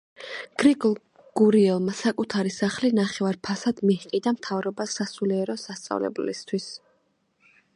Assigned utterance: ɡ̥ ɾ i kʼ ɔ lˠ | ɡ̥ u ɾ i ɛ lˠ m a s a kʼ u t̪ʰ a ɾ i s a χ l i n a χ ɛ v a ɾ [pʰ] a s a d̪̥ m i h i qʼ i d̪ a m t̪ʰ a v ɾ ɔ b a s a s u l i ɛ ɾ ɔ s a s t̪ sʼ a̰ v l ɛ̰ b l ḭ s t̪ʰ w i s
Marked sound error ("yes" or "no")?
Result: no